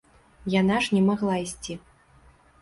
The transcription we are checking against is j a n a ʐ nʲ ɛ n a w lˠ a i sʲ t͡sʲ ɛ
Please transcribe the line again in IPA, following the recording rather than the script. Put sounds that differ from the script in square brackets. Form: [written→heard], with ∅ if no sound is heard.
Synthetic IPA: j a n a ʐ nʲ ɛ [n→m] a [w→ɣ] lˠ a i sʲ t͡sʲ [ɛ→i]